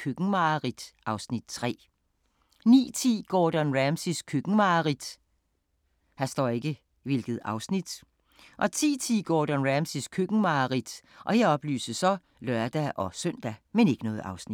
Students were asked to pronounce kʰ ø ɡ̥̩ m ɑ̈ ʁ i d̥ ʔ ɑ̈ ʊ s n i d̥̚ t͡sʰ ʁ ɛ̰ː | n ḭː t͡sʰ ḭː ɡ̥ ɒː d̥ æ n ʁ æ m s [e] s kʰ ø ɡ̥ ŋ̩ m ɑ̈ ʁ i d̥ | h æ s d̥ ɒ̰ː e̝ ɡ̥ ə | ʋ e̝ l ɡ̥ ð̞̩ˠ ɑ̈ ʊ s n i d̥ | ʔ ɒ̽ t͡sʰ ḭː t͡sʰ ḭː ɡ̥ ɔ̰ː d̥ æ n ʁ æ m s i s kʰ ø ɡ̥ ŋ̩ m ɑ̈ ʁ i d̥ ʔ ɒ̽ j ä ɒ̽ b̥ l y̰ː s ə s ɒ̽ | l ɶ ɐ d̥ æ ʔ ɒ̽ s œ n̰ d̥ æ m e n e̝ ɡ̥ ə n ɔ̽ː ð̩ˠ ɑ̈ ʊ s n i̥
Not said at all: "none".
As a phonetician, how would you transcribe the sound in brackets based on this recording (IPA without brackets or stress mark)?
i